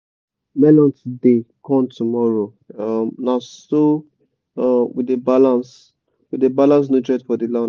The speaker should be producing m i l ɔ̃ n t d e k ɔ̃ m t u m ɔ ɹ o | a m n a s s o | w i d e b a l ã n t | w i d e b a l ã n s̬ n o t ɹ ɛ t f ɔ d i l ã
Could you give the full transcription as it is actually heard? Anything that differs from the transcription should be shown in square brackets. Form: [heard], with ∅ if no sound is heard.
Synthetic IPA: m [ɛ] l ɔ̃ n t d e k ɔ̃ m t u m ɔ ɹ o | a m n a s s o | w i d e b a l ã n [s] | w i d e b a l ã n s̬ n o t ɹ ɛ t f ɔ d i l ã